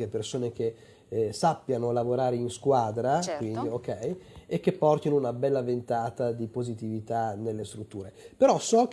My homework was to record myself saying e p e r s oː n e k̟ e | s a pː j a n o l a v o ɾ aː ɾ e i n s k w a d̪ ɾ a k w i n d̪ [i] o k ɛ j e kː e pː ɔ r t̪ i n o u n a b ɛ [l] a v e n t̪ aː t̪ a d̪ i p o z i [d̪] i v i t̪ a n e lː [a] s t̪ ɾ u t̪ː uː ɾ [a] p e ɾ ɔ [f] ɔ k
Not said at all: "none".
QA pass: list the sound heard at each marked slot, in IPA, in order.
i, lː, t̪, e, e, s

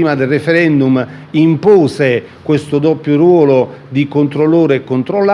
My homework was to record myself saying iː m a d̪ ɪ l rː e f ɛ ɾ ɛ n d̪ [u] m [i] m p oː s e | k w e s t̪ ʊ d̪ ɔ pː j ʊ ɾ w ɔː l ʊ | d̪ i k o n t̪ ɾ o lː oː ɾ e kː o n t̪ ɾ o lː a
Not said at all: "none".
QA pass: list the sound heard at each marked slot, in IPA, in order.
u, i

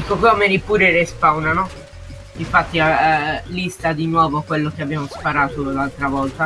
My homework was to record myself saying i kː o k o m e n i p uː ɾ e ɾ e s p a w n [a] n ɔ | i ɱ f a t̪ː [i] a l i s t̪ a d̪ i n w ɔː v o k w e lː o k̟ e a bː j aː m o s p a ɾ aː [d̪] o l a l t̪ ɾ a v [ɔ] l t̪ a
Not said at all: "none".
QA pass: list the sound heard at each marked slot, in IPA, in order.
a, i, t̪, ɔ

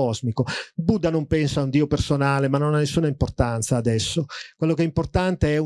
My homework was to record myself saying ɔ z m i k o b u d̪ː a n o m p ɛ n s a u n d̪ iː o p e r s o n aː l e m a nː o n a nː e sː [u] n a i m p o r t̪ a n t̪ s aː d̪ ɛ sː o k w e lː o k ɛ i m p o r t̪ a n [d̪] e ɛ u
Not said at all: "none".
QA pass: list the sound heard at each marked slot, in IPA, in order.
uː, t̪

